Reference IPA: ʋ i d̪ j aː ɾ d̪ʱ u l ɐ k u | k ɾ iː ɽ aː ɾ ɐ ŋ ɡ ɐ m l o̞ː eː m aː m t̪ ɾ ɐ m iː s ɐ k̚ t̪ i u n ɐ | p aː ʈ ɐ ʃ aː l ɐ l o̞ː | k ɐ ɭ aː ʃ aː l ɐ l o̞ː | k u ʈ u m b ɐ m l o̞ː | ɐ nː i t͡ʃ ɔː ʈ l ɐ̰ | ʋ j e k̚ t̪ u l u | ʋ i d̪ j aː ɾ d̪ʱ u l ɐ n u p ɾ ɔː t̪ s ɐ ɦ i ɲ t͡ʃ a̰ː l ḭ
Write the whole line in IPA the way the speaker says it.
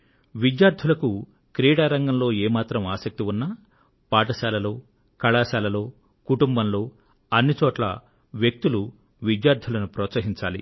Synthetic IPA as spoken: ʋ i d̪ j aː ɾ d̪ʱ u l ɐ k u | k ɾ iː ɽ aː ɾ ɐ ŋ ɡ ɐ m l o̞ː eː m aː t̪ ɾ ɐ m aː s ɐ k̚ t̪ i u nː ɐ | p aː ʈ ɐ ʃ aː l ɐ l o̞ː | k ɐ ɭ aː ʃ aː l ɐ l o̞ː | k u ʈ u m b ɐ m l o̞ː | ɐ nː i t͡ʃ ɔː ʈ l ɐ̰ | ʋ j e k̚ t̪ u l u | ʋ i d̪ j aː ɾ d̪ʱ u l ɐ n u p ɾ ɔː t̪ s ɐ ɦ i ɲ t͡ʃ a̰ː l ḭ